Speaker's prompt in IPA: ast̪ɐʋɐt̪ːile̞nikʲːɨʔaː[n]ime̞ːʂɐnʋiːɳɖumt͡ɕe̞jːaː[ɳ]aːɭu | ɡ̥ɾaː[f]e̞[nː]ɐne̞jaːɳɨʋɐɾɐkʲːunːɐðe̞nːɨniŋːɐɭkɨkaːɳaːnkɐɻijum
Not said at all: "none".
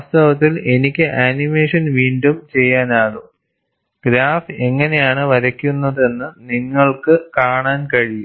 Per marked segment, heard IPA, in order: n, n, f, ŋː

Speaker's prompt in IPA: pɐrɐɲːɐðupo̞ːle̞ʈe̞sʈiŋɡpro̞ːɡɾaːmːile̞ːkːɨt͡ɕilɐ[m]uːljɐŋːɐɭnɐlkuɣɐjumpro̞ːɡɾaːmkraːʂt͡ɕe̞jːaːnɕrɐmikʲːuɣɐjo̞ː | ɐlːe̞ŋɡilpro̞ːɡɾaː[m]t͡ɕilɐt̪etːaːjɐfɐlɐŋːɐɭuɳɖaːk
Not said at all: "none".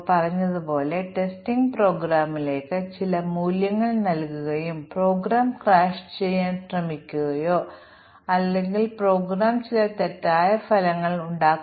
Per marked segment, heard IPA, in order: m, m

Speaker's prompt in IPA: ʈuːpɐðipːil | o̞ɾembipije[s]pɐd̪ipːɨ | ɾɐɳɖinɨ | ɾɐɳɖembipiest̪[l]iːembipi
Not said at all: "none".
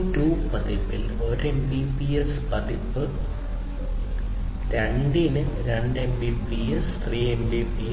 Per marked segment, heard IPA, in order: s, r

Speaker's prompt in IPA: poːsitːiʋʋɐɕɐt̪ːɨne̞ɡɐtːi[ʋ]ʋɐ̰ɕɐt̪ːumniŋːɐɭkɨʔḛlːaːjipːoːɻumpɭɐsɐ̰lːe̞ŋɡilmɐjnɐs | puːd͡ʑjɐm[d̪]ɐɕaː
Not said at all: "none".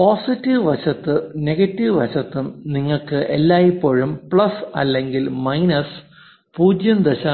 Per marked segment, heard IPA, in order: ʋ, d̪

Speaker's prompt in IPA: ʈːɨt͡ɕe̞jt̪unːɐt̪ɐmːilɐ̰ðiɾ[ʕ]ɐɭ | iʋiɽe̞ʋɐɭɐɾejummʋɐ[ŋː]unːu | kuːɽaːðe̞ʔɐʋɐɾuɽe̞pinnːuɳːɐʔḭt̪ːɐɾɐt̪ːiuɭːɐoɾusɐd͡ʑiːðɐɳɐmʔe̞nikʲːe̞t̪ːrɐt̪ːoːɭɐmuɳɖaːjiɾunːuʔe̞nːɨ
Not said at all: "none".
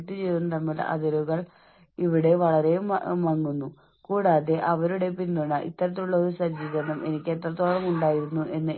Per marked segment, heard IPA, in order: ɣ, ŋː

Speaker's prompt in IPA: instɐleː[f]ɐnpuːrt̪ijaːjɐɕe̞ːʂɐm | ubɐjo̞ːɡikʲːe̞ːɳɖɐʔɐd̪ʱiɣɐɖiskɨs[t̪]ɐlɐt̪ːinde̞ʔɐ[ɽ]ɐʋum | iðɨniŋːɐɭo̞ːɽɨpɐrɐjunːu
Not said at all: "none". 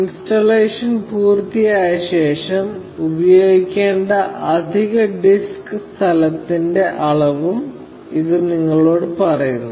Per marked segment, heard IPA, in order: ʂ, t̪ʰ, ɭ

